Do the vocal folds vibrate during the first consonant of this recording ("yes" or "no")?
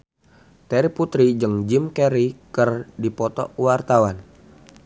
no